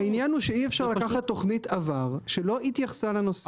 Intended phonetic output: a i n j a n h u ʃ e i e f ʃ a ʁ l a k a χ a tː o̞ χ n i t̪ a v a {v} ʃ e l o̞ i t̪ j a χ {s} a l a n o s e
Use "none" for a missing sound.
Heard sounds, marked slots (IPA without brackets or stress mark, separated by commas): ʁ, s